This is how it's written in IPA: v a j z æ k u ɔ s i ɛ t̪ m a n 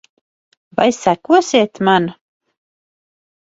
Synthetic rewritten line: v a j s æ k u ɔ s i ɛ t̪ m a n